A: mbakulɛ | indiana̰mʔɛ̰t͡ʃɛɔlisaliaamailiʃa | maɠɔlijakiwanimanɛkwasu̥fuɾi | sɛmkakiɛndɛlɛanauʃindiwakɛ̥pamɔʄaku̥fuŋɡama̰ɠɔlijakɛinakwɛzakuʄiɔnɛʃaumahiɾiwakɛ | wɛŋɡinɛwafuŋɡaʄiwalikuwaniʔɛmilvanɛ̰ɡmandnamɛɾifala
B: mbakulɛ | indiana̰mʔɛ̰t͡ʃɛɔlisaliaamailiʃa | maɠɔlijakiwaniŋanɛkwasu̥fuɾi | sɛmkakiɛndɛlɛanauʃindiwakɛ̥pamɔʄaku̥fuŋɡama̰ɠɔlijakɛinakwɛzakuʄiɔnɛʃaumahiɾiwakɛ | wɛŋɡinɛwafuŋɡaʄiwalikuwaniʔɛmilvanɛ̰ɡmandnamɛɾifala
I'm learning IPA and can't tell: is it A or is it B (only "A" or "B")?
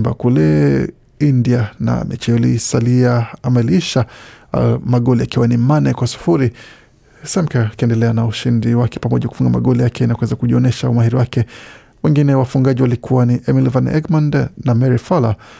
A